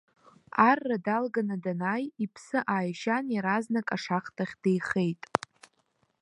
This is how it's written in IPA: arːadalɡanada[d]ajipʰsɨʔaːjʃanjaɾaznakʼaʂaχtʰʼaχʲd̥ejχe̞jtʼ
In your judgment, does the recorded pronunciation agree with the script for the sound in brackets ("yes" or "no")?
no